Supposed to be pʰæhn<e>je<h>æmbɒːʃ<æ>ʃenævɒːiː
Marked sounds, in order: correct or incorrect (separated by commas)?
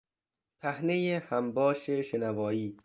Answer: correct, correct, incorrect